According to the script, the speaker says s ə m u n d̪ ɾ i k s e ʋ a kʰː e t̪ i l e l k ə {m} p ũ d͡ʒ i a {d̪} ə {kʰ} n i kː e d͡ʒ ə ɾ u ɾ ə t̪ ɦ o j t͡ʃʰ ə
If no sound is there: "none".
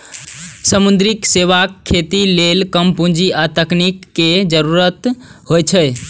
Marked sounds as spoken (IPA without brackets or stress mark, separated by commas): m, t̪, k